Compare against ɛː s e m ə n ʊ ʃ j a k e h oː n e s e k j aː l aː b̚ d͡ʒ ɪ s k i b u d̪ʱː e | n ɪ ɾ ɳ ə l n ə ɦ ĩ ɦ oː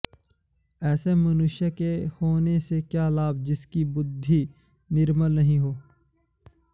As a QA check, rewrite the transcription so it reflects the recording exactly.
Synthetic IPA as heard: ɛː s e m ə n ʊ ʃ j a k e h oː n e s e k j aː l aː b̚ d͡ʒ ɪ s k i b ʊ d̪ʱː i | n ɪ ɾ m ə l n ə ɦ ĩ ɦ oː